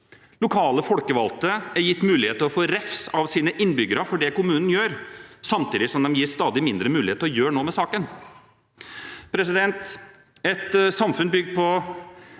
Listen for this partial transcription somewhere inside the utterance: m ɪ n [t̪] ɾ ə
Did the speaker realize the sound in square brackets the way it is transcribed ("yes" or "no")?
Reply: no